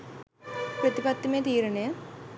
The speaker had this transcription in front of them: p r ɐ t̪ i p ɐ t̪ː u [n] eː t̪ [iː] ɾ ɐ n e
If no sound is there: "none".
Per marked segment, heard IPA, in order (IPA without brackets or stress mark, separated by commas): m, iː